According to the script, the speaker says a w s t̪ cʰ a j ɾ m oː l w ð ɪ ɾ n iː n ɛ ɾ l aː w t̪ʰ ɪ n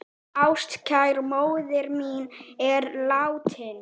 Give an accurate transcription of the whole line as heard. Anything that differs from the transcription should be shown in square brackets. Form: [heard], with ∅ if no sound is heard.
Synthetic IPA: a w s t̪ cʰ a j ɾ m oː [∅] w ð ɪ ɾ [m] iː n ɛ ɾ l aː w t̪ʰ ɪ n